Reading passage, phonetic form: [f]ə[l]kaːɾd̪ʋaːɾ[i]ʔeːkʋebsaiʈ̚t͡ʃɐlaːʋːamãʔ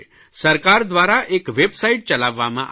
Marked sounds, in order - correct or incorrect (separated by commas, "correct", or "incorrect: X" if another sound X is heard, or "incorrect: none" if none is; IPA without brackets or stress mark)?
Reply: incorrect: s, incorrect: ɾ, incorrect: a